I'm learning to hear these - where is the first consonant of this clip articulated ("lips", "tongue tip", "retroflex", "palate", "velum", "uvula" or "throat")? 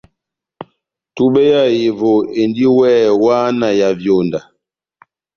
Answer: tongue tip